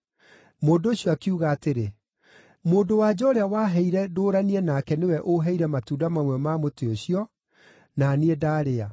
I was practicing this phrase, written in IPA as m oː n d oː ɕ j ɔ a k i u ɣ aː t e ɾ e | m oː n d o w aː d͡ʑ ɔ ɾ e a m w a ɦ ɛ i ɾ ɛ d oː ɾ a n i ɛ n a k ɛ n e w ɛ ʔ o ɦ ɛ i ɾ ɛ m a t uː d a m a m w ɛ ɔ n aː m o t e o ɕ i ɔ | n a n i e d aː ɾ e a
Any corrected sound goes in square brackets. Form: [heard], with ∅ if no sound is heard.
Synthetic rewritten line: m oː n d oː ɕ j ɔ a k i u ɣ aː t e ɾ e | m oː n d o w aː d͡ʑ ɔ ɾ e a [∅] w a ɦ ɛ i ɾ ɛ d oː ɾ a n i ɛ n a k ɛ n e w ɛ ʔ o ɦ ɛ i ɾ ɛ m a t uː d a m a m w ɛ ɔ [m] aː m o t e o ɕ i ɔ | n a n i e d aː ɾ e a